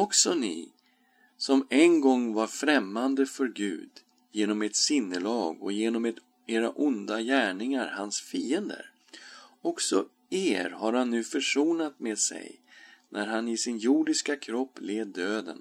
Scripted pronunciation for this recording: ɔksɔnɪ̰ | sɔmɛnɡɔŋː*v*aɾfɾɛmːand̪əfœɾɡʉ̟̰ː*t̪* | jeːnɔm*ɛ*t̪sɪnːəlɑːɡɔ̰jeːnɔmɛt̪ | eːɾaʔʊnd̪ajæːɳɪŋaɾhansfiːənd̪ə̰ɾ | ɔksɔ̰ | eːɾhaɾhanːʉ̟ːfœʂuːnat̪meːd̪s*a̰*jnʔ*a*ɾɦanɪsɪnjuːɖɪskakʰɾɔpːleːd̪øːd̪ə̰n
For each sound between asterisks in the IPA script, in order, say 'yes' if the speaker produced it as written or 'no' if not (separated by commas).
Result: yes, no, yes, no, no